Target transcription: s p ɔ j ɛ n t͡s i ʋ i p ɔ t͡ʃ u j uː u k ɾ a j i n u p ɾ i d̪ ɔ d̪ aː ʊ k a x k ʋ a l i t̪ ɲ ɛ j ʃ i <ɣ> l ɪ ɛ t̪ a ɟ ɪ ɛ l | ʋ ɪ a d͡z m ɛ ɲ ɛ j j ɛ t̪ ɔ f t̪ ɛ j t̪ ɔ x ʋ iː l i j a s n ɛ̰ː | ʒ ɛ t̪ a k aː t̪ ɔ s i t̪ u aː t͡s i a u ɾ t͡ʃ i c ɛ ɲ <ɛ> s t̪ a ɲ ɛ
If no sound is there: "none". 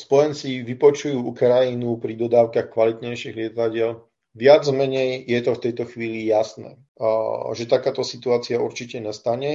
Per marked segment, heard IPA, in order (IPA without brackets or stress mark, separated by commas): ɣ, ɛ